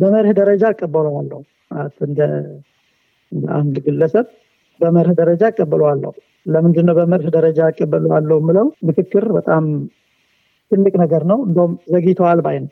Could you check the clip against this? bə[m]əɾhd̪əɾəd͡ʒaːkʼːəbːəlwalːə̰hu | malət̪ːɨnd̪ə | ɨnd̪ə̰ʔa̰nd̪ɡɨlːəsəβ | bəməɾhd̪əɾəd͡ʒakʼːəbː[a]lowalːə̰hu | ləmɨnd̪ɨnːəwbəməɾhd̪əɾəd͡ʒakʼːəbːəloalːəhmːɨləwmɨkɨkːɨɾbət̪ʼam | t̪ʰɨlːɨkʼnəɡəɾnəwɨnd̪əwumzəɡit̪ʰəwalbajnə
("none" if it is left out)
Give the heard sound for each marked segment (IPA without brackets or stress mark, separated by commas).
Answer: m, ə